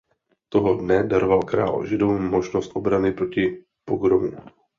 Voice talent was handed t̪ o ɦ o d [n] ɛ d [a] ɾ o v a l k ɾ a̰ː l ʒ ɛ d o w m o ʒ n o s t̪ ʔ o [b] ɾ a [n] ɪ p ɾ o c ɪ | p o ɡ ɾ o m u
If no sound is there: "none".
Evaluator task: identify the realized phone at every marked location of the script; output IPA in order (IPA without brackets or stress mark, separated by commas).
n, a, b, n